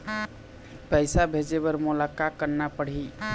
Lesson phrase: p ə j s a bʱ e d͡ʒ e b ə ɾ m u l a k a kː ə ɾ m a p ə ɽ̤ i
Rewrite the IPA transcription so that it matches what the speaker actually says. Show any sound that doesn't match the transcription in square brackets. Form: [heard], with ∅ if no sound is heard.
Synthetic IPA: p ə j s a bʱ e d͡ʒ e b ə ɾ m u l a k a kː ə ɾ [n] a p ə ɽ̤ i